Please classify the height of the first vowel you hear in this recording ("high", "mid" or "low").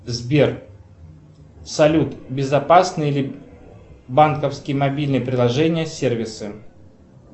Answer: mid